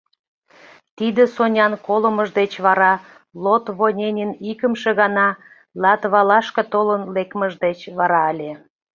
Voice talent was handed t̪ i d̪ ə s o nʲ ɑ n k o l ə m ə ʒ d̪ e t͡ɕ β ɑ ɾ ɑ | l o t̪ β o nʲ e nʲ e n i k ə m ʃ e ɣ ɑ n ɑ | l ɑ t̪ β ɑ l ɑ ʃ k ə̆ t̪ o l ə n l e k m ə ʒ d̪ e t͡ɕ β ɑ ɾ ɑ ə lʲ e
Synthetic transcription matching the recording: t̪ i d̪ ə s o nʲ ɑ n k o l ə m ə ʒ d̪ e t͡ɕ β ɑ ɾ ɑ | l o t̪ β o nʲ e nʲ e n i k ə m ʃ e ɣ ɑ n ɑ | l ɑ t̪ β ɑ l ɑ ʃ k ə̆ t̪ o l ə n l e k m ə ʒ d̪ e t͡ɕ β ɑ ɾ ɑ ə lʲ e